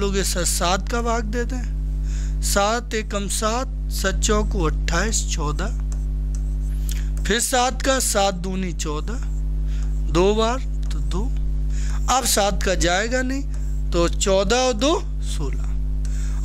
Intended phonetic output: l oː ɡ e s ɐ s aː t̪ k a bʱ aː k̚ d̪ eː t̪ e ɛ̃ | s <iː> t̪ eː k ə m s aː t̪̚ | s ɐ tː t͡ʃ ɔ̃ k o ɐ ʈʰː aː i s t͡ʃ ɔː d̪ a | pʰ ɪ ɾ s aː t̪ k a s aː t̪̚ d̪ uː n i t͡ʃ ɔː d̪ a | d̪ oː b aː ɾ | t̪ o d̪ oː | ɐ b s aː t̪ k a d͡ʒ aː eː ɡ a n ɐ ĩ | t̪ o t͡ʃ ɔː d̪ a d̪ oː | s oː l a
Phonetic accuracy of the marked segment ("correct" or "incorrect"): incorrect